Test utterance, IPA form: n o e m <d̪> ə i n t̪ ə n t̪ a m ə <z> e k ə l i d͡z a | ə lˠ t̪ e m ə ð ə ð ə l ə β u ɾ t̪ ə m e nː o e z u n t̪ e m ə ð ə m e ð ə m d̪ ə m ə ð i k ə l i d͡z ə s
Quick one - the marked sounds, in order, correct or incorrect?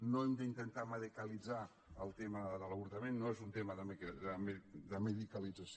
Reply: correct, incorrect

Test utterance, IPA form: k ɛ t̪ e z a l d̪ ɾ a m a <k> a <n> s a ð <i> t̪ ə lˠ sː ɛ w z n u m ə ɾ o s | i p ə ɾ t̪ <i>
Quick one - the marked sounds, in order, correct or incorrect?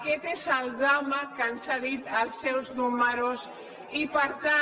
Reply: correct, correct, correct, incorrect

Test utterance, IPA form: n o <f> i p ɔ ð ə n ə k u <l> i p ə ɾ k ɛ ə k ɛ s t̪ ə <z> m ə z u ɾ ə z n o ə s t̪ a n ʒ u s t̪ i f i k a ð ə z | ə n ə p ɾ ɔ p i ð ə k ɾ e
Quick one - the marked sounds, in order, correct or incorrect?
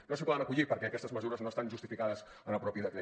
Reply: incorrect, incorrect, correct

